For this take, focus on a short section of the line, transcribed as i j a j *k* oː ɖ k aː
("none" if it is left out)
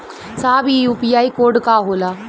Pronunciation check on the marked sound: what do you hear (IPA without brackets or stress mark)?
k